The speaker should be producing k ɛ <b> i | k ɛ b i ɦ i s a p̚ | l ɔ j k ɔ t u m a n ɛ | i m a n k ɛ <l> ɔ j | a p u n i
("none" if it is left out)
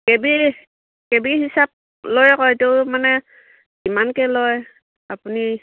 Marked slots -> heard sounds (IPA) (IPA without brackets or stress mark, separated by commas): b, l